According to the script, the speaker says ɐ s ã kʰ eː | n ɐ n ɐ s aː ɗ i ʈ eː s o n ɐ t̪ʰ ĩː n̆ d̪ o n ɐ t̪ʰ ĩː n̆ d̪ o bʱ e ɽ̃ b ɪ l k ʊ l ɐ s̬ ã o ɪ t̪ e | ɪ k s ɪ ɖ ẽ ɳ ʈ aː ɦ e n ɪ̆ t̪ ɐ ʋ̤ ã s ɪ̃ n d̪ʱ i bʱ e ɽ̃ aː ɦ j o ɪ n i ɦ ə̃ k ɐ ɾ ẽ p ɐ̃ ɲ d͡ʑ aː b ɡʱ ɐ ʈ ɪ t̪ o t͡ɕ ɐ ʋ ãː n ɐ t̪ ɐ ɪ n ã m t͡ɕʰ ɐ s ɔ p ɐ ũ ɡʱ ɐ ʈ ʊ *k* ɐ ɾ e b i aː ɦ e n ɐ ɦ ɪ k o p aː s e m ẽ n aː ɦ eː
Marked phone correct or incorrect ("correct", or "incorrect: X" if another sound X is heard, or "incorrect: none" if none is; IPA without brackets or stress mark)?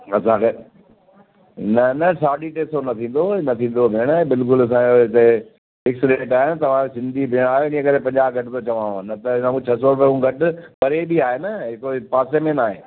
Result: incorrect: p